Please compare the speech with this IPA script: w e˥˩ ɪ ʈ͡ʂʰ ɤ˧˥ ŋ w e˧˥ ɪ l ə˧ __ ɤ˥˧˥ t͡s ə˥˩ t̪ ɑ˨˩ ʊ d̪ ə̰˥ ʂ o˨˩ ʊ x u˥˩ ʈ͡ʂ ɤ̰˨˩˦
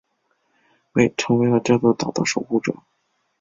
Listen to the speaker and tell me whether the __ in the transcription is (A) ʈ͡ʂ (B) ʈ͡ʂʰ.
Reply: A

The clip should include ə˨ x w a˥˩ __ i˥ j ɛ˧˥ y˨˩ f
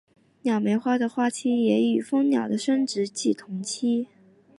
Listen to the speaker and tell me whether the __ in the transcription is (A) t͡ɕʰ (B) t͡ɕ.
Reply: A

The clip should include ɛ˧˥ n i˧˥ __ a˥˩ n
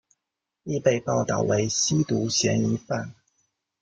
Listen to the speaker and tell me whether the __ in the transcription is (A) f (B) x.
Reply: A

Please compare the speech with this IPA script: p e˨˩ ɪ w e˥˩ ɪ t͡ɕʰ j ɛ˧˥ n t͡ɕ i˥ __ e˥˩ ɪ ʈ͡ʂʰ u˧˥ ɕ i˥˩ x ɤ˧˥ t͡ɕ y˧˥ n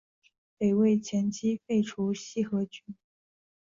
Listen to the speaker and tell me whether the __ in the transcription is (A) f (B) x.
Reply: A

